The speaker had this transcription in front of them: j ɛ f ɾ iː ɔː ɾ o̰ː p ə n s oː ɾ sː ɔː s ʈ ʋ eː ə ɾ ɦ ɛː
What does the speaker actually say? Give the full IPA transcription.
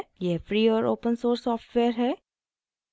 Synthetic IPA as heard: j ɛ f ɾ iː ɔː ɾ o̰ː p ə n s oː ɾ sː ɔː f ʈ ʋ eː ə ɾ ɦ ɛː